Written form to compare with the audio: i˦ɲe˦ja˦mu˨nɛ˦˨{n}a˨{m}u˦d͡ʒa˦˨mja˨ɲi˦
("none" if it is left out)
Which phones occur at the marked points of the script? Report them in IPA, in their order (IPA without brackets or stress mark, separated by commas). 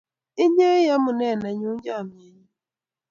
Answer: n, ɲ